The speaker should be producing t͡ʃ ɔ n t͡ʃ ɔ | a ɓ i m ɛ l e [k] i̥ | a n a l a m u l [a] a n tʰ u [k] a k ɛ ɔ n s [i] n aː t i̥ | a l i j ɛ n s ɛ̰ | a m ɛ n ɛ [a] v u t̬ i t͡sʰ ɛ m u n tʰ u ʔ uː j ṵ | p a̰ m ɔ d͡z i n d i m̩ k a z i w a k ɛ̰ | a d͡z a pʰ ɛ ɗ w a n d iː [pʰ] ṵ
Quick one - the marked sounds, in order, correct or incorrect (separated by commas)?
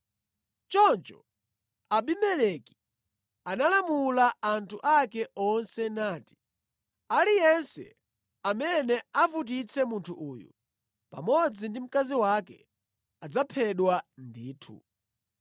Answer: correct, correct, incorrect, incorrect, correct, incorrect